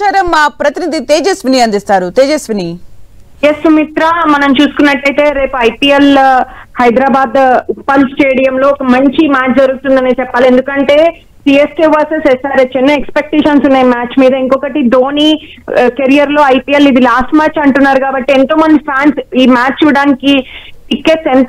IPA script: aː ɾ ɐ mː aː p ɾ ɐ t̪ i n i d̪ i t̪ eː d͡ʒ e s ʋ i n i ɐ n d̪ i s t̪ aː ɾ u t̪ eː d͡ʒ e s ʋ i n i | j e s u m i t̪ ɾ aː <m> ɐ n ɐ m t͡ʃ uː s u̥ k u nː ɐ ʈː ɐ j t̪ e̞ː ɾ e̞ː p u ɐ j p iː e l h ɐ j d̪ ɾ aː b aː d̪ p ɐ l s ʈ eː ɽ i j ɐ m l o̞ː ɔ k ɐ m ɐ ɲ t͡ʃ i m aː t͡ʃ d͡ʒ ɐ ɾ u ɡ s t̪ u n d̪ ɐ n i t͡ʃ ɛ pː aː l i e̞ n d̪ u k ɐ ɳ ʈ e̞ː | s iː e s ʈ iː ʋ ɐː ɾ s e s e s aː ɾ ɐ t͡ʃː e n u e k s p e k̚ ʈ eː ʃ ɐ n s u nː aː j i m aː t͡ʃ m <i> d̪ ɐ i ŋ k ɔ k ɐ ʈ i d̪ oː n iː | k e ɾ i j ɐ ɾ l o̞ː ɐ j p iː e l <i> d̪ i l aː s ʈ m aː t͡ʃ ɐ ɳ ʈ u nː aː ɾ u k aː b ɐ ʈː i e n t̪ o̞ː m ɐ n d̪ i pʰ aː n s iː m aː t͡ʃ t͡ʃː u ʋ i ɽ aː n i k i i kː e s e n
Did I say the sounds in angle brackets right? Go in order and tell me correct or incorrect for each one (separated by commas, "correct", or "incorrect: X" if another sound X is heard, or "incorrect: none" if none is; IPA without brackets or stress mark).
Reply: correct, incorrect: iː, correct